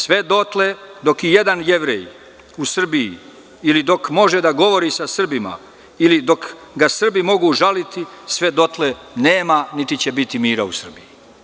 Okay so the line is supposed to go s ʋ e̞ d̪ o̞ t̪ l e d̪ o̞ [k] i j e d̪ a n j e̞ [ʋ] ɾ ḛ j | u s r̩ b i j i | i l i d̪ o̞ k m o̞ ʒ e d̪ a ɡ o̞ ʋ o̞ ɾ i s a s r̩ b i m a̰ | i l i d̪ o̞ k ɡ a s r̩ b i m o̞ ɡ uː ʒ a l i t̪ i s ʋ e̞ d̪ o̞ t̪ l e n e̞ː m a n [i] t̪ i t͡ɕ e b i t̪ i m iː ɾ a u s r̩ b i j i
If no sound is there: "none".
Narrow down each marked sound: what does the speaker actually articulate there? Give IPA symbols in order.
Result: k, ʋ, i

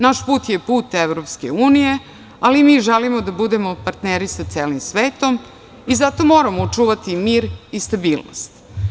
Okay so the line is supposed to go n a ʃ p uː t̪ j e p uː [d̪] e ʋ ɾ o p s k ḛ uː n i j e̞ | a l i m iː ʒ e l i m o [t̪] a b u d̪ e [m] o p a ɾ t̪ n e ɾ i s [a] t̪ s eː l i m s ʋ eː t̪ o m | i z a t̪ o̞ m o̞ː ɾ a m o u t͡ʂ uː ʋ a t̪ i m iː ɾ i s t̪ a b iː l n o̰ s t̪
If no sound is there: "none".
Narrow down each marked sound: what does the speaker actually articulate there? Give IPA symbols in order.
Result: t̪, d̪, m, a

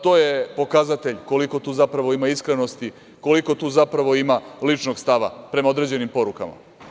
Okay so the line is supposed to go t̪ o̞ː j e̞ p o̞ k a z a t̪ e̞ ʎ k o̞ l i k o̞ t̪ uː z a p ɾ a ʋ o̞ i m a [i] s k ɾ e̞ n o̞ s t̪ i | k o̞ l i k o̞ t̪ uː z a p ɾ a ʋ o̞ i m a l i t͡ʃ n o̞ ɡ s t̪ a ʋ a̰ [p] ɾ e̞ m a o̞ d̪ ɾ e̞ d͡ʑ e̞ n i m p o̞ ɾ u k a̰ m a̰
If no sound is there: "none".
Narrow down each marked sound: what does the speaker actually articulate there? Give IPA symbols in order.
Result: i, p

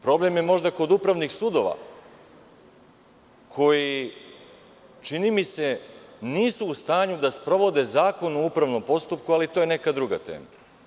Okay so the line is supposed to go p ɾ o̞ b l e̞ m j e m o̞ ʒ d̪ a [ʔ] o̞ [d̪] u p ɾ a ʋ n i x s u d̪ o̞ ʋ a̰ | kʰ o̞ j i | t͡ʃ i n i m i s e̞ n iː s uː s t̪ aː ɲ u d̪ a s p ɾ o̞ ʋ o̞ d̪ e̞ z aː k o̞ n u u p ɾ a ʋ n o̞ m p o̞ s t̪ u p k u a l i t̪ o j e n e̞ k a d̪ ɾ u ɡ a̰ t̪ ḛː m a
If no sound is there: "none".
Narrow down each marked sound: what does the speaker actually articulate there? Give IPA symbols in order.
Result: k, d̪

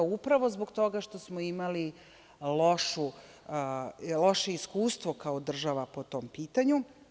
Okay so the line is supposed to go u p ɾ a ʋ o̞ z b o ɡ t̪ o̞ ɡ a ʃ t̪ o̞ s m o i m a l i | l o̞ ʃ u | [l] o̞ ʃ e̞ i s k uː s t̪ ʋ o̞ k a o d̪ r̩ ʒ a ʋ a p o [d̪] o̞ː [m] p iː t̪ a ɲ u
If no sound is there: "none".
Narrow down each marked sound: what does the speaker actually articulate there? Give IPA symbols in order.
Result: l, t̪, m

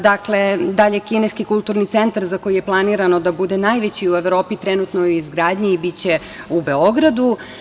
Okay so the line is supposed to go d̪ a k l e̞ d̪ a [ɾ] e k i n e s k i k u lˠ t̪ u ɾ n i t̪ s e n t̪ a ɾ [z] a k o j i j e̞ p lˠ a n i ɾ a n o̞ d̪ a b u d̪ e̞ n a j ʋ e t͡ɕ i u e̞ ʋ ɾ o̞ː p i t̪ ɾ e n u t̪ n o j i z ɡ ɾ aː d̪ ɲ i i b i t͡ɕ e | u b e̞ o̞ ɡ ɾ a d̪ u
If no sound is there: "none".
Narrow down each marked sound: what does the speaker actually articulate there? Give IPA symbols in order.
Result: ʎ, z

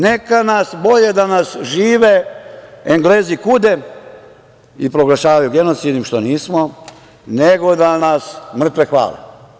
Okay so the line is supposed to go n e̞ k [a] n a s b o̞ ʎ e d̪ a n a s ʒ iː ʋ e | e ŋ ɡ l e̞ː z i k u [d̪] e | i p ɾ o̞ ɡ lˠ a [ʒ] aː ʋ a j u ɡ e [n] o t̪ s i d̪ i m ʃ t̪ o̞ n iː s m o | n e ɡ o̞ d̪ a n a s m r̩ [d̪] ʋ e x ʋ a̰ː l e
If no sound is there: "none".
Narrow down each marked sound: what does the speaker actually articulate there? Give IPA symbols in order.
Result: a, d̪, ʃ, n, t̪

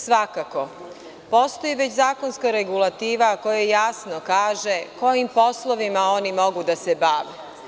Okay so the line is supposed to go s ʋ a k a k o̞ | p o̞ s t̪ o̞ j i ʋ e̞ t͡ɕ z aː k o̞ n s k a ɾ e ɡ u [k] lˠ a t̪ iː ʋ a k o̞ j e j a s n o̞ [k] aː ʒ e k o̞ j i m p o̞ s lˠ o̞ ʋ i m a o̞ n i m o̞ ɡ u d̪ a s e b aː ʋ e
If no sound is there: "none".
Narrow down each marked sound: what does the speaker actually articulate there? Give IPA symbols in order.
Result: none, k

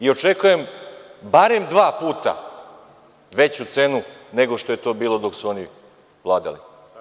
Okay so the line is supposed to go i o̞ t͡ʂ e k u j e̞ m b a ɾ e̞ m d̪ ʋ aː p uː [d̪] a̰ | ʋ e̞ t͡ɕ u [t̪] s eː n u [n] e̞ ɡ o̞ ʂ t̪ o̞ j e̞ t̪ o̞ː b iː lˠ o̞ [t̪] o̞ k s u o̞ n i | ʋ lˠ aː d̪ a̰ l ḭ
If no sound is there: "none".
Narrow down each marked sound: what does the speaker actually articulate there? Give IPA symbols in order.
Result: t̪, t̪, n, d̪

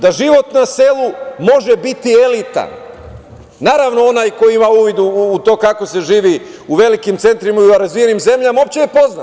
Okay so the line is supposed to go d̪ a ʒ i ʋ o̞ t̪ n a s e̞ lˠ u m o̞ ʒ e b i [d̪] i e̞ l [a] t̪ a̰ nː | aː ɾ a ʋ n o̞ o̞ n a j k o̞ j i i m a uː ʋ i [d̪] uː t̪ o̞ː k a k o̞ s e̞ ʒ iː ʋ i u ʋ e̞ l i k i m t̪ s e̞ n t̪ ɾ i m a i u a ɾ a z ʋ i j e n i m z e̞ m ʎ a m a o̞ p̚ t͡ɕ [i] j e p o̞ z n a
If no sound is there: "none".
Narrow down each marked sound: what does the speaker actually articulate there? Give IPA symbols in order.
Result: t̪, i, d̪, e

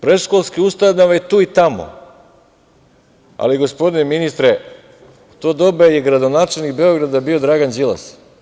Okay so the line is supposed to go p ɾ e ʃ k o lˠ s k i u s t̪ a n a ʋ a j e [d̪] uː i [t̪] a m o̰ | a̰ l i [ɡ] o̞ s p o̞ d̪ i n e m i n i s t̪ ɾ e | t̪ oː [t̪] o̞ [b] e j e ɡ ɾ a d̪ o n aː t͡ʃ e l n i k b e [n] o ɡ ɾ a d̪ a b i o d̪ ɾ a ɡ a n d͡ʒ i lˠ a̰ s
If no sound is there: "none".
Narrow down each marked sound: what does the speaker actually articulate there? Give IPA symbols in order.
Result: t̪, t̪, ɡ, d̪, b, none

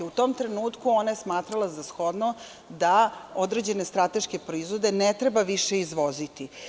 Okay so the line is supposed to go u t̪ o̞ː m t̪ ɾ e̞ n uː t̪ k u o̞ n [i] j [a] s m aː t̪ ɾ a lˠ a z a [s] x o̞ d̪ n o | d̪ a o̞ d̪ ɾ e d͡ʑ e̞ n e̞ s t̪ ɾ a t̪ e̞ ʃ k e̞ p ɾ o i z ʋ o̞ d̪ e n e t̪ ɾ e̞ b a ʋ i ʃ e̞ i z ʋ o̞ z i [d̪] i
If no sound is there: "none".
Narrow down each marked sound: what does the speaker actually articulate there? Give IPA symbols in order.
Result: a, e, s, t̪

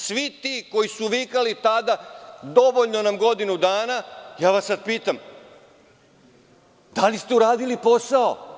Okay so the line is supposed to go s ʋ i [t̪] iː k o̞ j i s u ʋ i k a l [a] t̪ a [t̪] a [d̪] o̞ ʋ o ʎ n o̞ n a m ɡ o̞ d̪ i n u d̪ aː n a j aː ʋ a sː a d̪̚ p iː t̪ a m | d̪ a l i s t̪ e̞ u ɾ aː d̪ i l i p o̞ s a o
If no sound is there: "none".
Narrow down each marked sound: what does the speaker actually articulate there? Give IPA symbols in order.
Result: t̪, i, d̪, d̪

